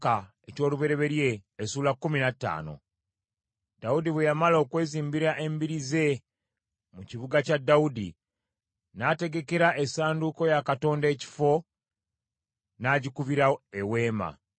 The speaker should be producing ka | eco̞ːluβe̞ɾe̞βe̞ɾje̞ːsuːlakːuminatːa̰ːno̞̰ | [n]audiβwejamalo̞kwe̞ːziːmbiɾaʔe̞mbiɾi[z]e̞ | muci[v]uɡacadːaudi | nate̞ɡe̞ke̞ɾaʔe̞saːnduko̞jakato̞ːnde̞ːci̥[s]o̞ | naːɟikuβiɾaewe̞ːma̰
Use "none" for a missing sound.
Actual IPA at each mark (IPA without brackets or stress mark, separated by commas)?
d, z, β, f